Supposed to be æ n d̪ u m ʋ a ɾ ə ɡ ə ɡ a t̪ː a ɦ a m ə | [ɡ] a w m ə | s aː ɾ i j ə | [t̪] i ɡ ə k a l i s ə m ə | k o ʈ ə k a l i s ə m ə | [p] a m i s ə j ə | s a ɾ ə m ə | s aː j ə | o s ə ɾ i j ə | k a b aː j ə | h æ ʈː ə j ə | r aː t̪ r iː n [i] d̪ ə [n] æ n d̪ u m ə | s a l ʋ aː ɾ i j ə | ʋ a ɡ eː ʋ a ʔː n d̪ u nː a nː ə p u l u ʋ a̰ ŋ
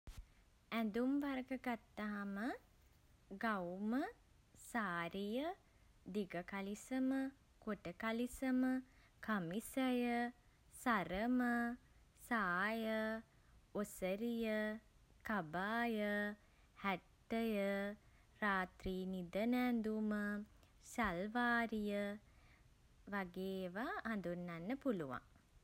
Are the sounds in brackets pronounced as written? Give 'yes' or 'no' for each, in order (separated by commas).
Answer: yes, no, no, yes, yes